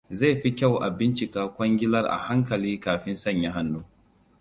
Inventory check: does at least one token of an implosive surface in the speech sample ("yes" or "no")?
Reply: no